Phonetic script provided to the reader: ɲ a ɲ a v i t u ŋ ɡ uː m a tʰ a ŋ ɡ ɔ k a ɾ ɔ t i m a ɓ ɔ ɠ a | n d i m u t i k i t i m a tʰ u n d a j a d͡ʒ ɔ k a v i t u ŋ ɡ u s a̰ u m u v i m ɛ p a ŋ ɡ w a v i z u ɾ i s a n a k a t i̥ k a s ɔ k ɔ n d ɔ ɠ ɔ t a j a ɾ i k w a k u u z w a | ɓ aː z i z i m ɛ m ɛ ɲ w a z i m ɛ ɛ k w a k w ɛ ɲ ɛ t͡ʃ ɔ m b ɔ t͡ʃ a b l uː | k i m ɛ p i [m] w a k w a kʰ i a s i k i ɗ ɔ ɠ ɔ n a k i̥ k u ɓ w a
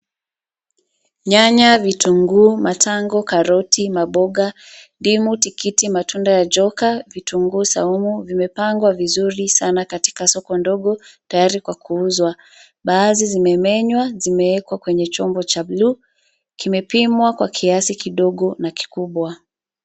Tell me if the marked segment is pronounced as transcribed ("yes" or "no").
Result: yes